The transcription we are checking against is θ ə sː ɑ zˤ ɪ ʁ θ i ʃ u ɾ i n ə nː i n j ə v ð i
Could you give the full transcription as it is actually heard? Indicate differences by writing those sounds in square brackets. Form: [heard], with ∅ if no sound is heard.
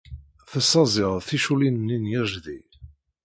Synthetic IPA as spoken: θ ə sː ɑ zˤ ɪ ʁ θ i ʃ u [l] i n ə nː i n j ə [ʒ] ð i